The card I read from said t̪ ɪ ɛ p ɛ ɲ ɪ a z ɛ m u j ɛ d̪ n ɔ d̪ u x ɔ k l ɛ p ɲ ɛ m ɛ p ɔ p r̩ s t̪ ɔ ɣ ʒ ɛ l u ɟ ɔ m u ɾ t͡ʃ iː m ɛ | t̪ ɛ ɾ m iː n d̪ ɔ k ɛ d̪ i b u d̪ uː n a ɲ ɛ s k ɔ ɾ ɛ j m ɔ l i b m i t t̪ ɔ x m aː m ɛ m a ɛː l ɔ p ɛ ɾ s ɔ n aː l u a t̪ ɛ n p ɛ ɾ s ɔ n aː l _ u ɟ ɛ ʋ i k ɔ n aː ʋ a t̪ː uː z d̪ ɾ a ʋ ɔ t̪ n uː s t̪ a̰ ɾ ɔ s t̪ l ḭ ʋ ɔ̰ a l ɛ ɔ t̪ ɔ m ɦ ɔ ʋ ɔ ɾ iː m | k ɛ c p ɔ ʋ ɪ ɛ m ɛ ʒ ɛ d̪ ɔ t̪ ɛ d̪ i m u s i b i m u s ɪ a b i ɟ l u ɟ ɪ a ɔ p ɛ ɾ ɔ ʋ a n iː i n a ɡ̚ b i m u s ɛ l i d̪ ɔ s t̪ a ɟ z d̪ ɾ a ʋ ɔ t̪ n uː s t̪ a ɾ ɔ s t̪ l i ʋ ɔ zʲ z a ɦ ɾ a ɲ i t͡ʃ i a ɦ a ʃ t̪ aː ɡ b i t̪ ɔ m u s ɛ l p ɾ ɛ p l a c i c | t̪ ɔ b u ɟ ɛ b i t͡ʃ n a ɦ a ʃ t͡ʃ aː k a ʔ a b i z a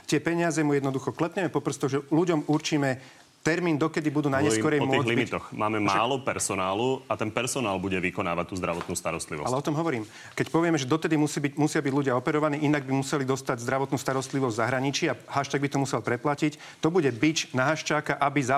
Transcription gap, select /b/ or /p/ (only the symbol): b